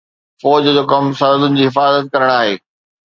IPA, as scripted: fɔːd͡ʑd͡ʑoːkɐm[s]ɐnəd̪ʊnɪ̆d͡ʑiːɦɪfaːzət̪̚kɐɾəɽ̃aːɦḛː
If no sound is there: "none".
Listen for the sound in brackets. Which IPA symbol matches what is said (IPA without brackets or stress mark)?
s